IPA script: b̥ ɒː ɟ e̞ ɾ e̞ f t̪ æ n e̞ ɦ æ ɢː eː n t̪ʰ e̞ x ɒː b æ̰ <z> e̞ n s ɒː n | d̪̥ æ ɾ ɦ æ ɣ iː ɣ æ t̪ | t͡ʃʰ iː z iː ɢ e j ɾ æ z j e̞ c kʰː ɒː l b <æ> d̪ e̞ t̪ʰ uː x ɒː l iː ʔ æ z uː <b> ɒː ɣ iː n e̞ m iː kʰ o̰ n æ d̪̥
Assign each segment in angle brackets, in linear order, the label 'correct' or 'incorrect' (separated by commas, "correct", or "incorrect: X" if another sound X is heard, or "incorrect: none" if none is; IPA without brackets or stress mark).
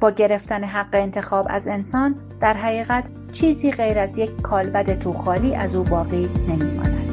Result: correct, correct, correct